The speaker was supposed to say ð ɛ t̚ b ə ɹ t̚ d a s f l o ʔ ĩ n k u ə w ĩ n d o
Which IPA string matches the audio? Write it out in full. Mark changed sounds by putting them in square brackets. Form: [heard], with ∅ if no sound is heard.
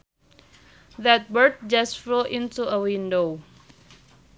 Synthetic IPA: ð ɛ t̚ b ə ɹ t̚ [d͡ʒ] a s f l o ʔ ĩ n [t] u ə w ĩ n d o